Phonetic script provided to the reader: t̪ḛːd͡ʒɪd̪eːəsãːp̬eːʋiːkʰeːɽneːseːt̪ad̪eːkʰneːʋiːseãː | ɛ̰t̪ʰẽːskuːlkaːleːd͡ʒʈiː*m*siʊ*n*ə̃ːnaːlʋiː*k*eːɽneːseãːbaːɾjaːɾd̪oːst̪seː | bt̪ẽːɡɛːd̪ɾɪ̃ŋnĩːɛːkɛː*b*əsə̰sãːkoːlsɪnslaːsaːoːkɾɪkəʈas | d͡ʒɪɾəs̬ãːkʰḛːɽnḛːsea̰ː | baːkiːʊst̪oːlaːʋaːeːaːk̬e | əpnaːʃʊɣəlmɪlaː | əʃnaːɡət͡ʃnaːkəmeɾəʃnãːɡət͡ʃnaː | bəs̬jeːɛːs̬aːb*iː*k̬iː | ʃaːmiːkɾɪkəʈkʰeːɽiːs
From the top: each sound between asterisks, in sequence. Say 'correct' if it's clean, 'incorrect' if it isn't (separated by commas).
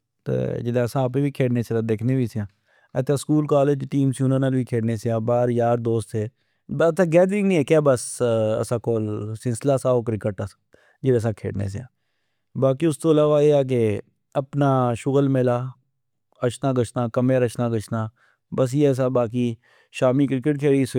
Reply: correct, correct, incorrect, correct, incorrect